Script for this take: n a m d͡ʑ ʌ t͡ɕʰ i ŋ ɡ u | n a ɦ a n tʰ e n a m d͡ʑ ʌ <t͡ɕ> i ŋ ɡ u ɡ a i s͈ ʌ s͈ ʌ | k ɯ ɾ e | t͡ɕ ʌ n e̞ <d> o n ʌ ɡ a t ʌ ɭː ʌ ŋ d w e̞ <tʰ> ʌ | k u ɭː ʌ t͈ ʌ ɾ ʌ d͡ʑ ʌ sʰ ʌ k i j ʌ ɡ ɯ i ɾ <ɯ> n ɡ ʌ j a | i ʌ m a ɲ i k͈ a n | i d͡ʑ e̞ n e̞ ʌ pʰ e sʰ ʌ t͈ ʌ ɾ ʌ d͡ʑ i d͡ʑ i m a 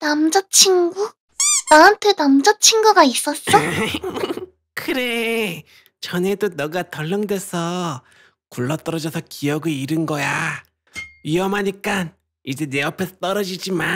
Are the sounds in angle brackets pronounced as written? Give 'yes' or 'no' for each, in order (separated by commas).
no, yes, no, yes